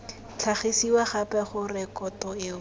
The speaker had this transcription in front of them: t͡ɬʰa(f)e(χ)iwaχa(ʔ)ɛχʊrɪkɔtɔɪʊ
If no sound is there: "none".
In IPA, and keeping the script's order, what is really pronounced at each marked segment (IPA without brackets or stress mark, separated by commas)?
χ, s, p